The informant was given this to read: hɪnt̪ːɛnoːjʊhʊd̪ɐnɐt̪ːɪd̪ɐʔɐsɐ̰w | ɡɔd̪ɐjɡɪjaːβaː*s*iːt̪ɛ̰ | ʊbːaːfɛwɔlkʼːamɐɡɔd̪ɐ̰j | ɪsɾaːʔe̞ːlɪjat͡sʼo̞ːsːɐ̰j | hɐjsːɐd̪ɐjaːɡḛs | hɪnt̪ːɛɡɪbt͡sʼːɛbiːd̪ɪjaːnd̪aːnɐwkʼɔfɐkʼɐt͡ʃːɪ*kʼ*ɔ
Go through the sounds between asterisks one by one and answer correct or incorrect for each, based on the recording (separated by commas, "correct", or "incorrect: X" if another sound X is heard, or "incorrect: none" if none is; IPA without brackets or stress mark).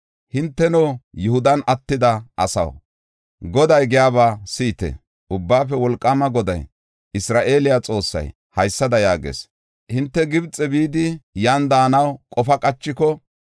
correct, incorrect: k